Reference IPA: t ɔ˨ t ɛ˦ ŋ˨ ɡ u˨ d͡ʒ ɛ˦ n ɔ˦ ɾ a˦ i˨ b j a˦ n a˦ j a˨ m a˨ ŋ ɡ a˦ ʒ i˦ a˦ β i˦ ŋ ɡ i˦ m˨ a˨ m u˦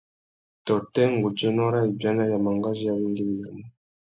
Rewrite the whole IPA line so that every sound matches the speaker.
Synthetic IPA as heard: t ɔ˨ t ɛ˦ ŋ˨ ɡ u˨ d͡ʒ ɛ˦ n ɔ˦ ɾ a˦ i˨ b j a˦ n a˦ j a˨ m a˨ ŋ ɡ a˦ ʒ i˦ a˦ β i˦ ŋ ɡ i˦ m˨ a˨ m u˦